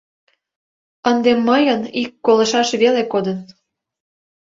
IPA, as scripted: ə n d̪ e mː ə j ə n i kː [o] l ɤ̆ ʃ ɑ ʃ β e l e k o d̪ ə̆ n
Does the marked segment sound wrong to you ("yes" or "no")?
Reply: no